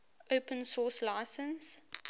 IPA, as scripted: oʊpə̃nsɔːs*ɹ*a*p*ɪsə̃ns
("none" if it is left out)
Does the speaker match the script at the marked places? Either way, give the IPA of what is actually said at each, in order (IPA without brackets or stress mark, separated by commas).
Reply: l, none